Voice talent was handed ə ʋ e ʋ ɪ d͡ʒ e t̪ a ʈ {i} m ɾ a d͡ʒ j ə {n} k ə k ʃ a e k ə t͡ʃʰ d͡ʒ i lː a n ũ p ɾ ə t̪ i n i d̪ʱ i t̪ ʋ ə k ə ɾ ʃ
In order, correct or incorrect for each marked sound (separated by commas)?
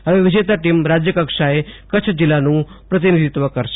correct, incorrect